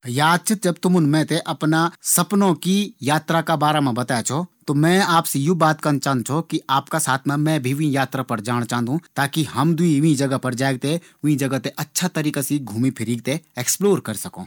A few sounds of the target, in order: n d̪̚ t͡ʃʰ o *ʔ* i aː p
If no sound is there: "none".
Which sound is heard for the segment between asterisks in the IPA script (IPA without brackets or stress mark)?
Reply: k